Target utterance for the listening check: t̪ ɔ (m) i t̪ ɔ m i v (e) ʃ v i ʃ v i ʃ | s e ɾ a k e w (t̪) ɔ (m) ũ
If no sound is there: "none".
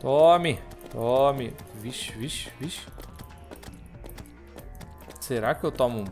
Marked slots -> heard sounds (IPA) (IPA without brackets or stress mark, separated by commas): m, i, t̪, m